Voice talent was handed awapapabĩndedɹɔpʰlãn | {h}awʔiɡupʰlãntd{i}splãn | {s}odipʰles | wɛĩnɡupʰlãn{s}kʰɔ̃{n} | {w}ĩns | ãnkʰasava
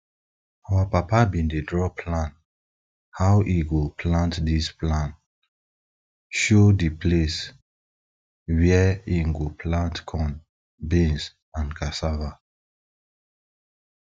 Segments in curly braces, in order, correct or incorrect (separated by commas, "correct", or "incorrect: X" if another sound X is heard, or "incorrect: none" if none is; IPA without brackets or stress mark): correct, correct, incorrect: ʃ, incorrect: t, correct, incorrect: b